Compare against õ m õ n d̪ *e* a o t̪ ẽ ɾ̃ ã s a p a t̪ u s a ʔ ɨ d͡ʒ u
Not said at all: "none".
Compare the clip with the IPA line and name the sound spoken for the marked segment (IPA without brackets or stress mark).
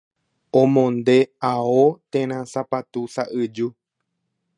e